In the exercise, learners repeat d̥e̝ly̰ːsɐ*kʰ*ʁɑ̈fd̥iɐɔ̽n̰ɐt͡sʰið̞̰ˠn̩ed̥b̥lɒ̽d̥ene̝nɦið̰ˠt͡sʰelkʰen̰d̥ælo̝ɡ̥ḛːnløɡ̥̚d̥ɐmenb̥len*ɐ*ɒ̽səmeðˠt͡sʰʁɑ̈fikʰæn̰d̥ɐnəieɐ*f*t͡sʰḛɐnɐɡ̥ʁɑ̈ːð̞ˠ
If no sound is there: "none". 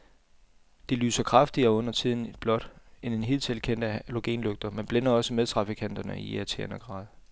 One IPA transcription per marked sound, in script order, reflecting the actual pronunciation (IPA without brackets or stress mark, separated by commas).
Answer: kʰ, ɐ, none